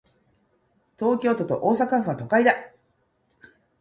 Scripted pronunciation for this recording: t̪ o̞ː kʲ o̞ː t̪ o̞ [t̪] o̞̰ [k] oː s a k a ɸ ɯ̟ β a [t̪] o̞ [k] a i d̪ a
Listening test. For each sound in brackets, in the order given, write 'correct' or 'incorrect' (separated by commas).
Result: correct, incorrect, correct, correct